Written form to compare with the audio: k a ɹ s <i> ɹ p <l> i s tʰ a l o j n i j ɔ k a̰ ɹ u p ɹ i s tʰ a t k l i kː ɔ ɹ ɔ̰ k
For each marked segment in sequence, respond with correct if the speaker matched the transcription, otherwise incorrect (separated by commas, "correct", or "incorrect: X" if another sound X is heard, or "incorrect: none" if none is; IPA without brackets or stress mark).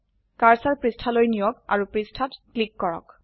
incorrect: a, incorrect: ɹ